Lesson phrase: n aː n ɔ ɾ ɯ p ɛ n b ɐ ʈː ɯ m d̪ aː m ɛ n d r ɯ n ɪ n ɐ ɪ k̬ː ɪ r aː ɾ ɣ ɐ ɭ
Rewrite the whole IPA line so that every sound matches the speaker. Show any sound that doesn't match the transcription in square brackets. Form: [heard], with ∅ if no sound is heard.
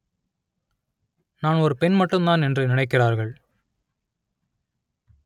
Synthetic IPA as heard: n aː n ɔ ɾ ɯ p ɛ n [m] ɐ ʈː ɯ m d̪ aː [n] ɛ n d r ɯ n ɪ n ɐ ɪ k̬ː ɪ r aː ɾ ɣ ɐ ɭ